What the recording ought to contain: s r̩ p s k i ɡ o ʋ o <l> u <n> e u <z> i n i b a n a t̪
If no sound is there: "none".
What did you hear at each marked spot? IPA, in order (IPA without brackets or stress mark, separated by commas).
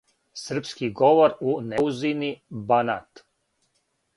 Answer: ɾ, n, z